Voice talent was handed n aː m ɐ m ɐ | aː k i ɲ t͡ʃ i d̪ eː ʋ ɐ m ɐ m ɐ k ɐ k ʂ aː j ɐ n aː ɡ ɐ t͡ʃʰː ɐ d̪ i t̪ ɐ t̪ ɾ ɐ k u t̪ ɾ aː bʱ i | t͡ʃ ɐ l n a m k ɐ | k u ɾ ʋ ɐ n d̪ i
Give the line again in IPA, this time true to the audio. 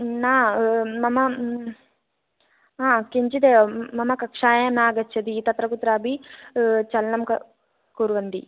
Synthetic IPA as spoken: n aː m ɐ m ɐ | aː k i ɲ t͡ʃ i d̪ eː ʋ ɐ m ɐ m ɐ k ɐ k ʂ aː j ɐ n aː ɡ ɐ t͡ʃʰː ɐ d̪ i t̪ ɐ t̪ ɾ ɐ k u t̪ ɾ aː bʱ i | t͡ʃ ɐ l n ɐ m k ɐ | k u ɾ ʋ ɐ n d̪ i

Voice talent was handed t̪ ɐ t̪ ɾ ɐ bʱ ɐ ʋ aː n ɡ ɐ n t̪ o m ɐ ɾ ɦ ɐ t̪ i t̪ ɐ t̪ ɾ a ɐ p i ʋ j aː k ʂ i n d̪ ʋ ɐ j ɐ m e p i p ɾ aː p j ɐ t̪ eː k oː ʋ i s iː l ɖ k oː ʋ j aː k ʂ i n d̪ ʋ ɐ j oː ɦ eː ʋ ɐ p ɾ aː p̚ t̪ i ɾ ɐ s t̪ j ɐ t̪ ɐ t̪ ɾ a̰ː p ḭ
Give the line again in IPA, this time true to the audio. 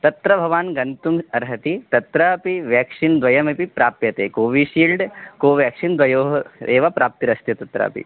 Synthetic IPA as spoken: t̪ ɐ t̪ ɾ ɐ bʱ ɐ ʋ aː n ɡ ɐ n t̪ u m ɐ ɾ ɦ ɐ t̪ i t̪ ɐ t̪ ɾ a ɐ p i ʋ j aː k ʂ i n d̪ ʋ ɐ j ɐ m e p i p ɾ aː p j ɐ t̪ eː k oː ʋ i ʃ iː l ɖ k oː ʋ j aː k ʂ i n d̪ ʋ ɐ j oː ɦ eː ʋ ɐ p ɾ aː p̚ t̪ i ɾ ɐ s t̪ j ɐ t̪ ɐ t̪ ɾ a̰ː p ḭ

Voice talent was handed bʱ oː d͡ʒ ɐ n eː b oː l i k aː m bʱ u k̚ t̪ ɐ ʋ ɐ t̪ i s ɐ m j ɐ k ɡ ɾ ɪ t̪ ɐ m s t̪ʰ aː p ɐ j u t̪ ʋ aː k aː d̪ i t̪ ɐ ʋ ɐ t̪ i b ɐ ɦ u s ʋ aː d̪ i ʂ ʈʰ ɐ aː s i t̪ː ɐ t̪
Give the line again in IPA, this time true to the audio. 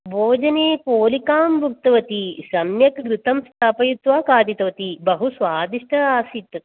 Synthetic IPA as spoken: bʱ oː d͡ʒ ɐ n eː p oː l i k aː m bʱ u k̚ t̪ ɐ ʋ ɐ t̪ i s ɐ m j ɐ k ɡ ɾ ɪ t̪ ɐ m s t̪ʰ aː p ɐ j u t̪ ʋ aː k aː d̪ i t̪ ɐ ʋ ɐ t̪ i b ɐ ɦ u s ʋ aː d̪ i ʂ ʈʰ ɐ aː s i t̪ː ɐ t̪

